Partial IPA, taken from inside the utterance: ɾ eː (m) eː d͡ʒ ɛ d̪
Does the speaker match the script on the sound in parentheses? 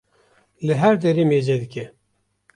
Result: yes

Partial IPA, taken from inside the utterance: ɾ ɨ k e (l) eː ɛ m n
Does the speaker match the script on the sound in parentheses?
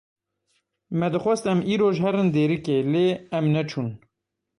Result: yes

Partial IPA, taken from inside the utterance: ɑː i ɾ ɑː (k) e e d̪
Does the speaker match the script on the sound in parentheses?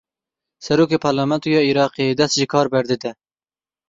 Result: no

